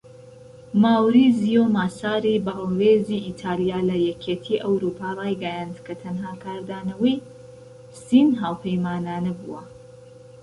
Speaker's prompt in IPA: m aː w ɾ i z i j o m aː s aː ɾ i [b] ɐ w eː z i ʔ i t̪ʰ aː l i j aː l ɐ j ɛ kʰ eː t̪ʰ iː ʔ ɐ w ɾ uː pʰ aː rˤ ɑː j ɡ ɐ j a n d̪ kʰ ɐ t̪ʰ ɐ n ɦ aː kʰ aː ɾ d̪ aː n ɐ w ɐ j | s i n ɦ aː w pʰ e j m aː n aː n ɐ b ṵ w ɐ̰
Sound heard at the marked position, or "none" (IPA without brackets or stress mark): b